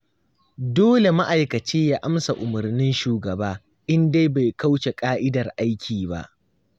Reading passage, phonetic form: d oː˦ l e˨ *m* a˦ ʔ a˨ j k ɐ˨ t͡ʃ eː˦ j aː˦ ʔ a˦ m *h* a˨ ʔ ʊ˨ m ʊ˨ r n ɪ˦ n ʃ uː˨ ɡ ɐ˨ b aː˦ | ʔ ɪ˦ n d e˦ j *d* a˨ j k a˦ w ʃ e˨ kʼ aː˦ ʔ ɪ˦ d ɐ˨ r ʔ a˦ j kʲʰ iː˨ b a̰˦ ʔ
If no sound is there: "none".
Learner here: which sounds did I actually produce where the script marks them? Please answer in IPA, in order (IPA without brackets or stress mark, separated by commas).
m, s, b